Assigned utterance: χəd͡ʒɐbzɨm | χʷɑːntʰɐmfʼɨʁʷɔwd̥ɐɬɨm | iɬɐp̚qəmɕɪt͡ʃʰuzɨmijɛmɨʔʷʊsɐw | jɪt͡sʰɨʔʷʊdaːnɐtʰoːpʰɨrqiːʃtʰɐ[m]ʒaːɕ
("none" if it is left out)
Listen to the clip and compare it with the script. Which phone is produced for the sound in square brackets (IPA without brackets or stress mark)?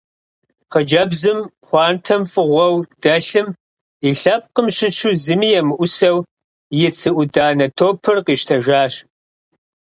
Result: none